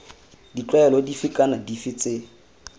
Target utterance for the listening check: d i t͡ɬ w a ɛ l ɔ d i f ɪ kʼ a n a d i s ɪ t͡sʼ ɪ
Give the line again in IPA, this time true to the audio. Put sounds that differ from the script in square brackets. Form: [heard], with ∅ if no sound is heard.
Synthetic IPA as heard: d i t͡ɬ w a ɛ l ɔ d i f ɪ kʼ a n a d i [f] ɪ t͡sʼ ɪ